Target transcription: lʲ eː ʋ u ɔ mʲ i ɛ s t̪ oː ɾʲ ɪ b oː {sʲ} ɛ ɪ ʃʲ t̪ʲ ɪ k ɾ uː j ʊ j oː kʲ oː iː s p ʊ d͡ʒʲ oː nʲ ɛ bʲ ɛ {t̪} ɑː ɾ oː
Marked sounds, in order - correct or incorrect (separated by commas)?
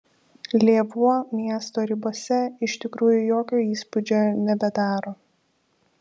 correct, incorrect